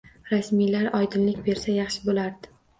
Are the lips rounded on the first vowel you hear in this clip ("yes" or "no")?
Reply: no